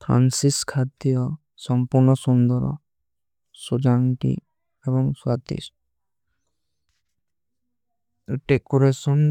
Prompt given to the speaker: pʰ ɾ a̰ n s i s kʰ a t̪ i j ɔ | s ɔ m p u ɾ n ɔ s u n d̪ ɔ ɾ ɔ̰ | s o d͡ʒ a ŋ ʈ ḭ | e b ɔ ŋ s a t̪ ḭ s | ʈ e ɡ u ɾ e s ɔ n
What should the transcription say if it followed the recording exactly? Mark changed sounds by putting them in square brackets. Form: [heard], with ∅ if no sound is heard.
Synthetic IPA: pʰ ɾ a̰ n s i s kʰ a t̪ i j ɔ | s ɔ m p u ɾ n ɔ s u n d̪ ɔ ɾ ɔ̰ | s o d͡ʒ a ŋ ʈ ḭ | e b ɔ ŋ s a t̪ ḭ s | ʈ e [k] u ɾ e s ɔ n